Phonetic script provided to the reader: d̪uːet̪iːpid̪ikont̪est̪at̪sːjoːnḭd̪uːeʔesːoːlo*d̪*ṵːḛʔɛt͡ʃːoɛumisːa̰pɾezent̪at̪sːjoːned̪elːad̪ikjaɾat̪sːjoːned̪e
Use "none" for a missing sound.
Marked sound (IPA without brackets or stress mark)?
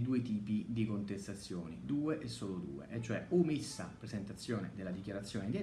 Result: d̪